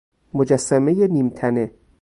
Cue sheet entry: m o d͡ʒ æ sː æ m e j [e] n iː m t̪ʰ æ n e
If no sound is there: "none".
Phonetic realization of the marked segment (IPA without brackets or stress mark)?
e